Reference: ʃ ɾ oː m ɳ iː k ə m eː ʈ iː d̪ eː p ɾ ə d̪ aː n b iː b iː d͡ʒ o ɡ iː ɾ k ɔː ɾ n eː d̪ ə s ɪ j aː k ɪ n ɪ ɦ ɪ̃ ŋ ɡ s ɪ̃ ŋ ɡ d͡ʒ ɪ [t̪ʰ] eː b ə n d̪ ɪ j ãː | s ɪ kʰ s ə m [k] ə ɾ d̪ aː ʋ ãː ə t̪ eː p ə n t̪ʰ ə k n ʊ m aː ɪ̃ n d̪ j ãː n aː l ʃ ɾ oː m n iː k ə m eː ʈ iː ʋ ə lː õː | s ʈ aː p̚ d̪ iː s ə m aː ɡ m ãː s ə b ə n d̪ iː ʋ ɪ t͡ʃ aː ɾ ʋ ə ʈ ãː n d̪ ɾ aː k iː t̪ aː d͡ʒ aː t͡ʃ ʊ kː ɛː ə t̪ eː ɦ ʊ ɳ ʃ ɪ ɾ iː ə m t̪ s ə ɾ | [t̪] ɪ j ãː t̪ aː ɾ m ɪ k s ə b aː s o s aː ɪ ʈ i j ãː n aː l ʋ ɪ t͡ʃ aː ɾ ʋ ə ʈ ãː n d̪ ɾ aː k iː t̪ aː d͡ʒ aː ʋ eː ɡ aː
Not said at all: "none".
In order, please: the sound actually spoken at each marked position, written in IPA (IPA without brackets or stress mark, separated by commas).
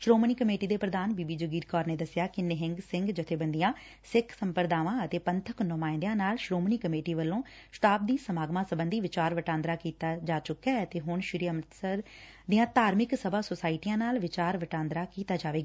t̪ʰ, p, d̪